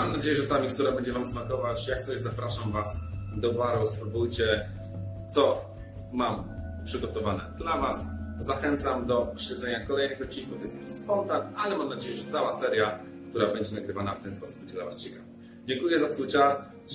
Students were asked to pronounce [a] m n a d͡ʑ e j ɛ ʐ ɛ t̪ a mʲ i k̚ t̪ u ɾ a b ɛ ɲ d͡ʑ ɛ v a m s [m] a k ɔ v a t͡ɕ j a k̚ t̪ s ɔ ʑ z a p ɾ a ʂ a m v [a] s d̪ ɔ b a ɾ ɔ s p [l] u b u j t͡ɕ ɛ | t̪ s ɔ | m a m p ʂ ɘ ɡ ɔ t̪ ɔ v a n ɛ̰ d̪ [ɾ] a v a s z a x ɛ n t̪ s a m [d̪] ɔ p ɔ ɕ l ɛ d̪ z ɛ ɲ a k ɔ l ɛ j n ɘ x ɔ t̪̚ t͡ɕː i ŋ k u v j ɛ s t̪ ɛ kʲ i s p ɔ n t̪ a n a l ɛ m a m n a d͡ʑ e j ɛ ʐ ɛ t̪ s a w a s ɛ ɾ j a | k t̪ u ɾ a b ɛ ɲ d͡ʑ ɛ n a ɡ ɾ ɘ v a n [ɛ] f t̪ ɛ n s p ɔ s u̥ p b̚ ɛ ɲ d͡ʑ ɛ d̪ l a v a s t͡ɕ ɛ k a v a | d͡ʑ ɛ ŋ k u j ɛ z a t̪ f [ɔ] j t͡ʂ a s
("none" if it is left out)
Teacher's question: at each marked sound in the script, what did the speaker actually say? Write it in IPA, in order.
a, m, a, ɾ, l, d̪, a, u

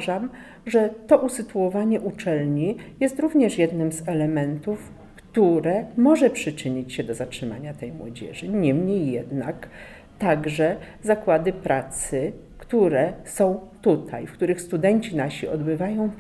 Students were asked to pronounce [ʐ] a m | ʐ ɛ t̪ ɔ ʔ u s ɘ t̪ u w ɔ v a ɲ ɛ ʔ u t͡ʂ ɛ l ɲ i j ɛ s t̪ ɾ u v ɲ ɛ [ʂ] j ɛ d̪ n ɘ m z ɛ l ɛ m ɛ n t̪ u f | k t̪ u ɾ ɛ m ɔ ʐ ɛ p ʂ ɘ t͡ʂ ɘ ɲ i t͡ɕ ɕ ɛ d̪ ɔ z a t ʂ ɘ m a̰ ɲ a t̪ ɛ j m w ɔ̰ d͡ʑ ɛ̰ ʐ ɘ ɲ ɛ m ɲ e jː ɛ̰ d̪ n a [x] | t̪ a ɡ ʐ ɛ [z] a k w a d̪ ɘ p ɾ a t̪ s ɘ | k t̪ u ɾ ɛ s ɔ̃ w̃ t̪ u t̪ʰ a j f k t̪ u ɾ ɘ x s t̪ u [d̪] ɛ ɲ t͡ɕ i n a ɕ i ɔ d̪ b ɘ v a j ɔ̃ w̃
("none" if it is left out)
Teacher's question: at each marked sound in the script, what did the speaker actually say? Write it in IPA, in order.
ʐ, ʂ, k, z, d̪

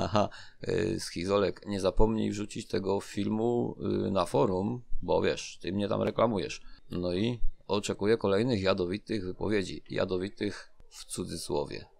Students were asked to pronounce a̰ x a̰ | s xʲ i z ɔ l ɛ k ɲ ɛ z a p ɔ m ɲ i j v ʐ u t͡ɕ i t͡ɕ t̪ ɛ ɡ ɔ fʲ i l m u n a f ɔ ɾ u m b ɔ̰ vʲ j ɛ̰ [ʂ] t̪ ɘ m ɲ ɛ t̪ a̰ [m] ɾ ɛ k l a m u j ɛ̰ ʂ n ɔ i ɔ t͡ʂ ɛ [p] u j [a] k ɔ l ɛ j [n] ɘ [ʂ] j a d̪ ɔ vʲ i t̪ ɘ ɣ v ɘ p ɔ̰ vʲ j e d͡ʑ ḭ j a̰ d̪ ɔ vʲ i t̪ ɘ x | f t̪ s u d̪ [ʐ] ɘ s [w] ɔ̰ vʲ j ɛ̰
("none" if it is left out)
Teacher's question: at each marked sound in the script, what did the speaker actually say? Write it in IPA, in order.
ʂ, m, k, ɛ, n, x, z, w

